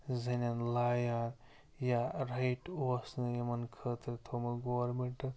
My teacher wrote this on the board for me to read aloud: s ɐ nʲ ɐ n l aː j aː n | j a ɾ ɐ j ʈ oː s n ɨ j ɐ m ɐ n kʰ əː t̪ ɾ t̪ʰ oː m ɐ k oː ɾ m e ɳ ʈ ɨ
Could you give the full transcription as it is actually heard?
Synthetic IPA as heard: z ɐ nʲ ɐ n l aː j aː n | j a ɾ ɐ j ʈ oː s n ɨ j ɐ m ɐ n kʰ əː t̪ ɾ t̪ʰ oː m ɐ ɡ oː ɾ m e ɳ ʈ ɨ